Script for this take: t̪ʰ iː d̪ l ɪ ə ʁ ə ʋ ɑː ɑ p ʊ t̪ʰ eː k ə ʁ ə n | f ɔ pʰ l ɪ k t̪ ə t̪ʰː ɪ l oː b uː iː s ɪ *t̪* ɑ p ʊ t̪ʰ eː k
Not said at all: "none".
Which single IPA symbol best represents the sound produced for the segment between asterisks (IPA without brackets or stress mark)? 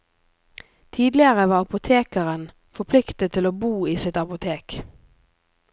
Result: t̪